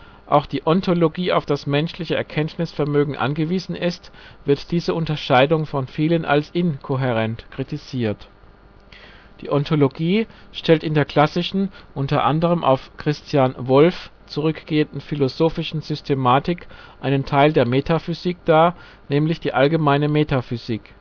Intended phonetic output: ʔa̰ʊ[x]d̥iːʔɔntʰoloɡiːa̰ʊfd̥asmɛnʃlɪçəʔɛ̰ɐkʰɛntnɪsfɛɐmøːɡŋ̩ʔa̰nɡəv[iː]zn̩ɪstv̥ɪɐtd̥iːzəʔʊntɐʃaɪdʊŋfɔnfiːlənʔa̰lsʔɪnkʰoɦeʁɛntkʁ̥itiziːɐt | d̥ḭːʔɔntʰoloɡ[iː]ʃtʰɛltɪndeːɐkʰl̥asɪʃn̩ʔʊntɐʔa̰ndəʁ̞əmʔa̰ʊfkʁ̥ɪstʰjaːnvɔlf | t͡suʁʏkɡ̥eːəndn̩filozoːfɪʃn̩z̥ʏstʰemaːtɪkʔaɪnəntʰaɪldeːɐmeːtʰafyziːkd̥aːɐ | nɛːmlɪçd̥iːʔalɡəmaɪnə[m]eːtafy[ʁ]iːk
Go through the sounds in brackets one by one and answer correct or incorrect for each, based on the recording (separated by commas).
correct, correct, correct, correct, incorrect